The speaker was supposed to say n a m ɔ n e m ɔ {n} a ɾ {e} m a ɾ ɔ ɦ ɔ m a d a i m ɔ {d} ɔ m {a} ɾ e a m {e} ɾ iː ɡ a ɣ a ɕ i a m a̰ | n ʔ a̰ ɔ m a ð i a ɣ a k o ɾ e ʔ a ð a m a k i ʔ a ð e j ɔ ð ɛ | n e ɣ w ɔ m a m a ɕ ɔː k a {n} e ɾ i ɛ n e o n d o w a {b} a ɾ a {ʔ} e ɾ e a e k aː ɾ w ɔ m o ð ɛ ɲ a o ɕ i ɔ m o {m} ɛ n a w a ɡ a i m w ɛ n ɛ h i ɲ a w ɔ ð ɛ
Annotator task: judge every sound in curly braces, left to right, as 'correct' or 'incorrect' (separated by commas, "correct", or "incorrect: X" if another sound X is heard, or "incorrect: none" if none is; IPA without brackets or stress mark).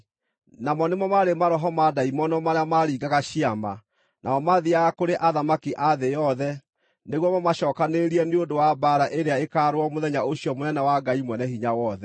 incorrect: m, correct, incorrect: n, correct, incorrect: a, correct, correct, correct, incorrect: n